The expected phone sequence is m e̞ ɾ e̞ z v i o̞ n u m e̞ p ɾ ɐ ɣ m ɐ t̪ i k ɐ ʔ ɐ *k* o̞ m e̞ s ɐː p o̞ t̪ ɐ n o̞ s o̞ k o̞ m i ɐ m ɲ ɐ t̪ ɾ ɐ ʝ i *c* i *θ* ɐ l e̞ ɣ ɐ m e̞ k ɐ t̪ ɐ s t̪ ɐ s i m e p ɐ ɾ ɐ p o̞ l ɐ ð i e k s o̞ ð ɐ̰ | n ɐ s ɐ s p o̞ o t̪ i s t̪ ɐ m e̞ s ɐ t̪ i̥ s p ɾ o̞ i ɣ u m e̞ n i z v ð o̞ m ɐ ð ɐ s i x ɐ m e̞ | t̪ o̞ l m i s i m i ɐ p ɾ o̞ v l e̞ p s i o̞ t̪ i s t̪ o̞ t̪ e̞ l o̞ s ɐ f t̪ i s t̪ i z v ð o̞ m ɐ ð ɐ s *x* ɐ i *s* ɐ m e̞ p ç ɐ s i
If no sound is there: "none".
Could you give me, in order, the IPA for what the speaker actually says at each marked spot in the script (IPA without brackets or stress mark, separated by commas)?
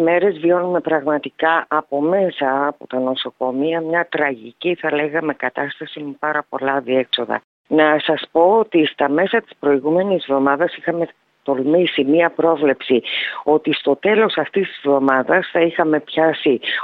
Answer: p, c, θ, θ, x